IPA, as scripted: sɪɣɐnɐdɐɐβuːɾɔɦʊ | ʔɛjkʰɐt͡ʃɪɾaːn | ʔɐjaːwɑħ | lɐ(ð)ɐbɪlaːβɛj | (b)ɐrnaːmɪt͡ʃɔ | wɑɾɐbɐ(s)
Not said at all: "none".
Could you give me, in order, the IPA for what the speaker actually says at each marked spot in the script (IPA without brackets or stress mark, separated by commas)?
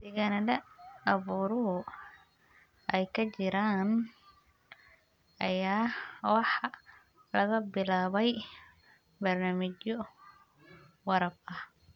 ɣ, b, h